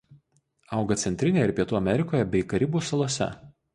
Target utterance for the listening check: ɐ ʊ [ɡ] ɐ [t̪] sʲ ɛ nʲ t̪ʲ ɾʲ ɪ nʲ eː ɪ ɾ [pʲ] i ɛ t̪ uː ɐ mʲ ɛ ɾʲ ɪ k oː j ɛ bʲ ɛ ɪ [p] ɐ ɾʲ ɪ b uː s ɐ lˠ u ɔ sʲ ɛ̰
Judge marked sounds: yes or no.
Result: yes, yes, yes, no

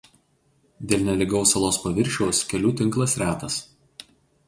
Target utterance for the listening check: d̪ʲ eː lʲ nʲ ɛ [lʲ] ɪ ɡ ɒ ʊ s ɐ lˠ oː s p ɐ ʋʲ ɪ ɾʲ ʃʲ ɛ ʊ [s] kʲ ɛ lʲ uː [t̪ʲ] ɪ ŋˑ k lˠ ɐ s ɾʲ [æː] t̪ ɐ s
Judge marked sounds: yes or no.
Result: yes, yes, yes, yes

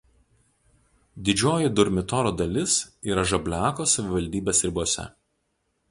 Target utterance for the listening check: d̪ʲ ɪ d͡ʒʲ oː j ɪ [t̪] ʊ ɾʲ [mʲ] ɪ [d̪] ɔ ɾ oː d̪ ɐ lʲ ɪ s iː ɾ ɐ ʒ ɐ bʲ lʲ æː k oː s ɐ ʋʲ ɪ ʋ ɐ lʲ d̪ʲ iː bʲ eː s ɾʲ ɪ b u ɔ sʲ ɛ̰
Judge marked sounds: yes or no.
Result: no, yes, no

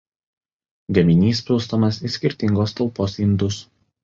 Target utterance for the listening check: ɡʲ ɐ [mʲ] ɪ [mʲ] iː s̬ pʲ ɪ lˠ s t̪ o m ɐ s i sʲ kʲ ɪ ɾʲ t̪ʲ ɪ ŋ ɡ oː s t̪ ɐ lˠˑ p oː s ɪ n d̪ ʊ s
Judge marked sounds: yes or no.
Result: yes, no

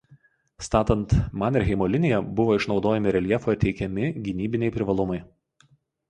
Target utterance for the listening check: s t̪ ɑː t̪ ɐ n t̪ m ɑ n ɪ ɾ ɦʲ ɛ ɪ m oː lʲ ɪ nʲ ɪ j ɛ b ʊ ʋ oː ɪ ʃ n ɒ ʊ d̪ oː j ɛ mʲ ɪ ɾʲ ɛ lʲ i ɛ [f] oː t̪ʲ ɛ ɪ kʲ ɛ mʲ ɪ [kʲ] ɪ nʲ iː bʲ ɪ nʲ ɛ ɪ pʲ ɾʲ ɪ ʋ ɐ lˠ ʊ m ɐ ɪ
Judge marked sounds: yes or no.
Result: yes, no

